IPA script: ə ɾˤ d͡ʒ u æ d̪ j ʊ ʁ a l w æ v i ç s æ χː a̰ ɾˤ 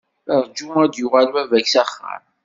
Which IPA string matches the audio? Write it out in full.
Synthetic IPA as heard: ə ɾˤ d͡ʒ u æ d̪ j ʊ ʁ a l w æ v æ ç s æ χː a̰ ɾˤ